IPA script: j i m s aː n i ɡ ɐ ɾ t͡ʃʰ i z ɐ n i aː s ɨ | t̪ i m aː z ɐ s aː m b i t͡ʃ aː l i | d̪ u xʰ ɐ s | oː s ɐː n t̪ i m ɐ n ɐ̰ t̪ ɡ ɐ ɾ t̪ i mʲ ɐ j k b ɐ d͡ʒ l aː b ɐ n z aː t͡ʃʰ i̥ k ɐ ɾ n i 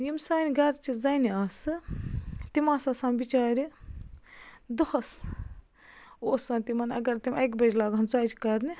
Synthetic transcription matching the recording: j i m s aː n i ɡ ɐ ɾ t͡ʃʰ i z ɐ n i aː s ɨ | t̪ i m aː s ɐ s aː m b i t͡ʃ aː ɾ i | d̪ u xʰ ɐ s | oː s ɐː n t̪ i m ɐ n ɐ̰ ɡ ɐ ɾ t̪ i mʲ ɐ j k b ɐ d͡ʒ l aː ɡ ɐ n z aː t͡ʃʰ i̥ k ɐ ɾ n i